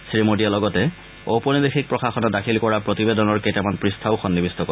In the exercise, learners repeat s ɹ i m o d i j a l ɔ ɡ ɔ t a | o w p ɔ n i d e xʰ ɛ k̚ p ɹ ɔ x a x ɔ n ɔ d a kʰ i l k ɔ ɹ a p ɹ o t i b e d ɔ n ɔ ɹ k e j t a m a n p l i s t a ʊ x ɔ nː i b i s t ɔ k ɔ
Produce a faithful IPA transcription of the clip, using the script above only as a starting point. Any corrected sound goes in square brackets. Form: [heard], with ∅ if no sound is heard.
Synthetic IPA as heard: s ɹ i m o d i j a l ɔ ɡ ɔ t [ɛ] | o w p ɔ n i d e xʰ [i] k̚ p ɹ ɔ x a x ɔ n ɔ d a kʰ i l k ɔ ɹ a p ɹ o t i b e d ɔ n ɔ ɹ k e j t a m a n p [ɹ] i s [tʰ] a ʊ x ɔ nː i b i s t ɔ k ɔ